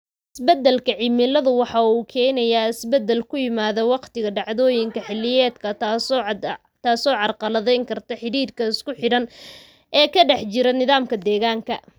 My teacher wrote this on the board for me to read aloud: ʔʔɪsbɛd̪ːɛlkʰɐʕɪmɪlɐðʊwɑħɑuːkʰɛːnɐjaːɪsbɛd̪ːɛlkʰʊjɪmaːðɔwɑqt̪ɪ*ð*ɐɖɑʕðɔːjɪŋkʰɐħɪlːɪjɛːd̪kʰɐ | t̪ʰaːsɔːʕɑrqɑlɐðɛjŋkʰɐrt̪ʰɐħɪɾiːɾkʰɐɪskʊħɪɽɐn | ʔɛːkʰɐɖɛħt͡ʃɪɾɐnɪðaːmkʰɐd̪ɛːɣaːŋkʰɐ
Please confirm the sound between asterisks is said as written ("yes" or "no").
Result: no